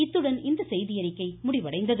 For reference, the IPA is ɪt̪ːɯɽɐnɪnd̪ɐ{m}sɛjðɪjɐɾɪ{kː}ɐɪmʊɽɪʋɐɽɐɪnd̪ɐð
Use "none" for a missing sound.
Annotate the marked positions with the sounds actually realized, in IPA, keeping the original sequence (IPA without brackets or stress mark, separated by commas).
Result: none, kː